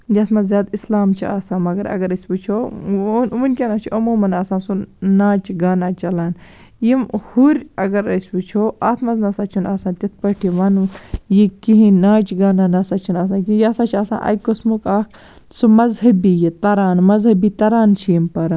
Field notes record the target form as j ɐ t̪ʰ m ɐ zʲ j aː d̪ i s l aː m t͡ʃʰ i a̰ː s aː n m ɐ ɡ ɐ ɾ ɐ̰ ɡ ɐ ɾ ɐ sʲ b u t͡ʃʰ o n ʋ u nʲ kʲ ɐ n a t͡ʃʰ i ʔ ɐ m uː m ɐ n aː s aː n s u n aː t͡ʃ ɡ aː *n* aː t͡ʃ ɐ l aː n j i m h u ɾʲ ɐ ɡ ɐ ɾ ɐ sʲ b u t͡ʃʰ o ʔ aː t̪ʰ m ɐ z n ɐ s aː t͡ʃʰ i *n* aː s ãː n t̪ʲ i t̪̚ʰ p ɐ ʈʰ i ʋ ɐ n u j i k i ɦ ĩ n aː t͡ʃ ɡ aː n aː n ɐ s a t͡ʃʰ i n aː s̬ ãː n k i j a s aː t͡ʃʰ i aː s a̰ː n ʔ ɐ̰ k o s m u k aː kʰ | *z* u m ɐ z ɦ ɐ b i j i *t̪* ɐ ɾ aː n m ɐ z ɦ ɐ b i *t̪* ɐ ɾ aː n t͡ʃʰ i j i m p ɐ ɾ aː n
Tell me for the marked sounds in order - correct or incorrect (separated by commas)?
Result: correct, correct, incorrect, correct, correct